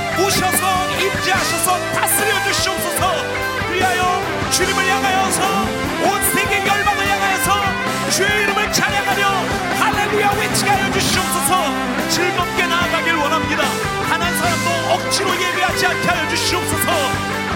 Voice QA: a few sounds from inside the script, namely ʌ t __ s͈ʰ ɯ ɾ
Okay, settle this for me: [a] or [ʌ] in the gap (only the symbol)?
a